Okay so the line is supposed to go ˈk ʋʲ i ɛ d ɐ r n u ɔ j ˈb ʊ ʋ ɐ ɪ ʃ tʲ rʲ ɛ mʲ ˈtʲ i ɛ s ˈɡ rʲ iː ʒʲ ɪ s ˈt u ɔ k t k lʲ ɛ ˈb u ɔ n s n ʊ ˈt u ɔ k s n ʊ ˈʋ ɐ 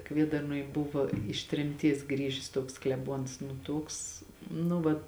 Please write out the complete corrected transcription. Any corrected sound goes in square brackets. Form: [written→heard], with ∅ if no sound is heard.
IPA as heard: ˈk ʋʲ i ɛ d ɐ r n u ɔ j ˈb ʊ ʋ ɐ ɪ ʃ tʲ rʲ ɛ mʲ ˈtʲ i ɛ s ˈɡ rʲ iː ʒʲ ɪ s ˈt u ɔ k [t→s] k lʲ ɛ ˈb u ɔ n s n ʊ ˈt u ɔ k s n ʊ ˈʋ ɐ